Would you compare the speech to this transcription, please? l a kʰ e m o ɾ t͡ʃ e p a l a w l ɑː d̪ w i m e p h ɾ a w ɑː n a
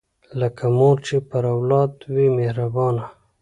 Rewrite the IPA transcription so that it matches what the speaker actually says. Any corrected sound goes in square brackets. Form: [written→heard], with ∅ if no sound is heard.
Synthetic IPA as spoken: l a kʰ [e→a] m o ɾ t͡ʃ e p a [l→ɾ] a w l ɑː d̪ w i m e [p→∅] h ɾ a [w→b] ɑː n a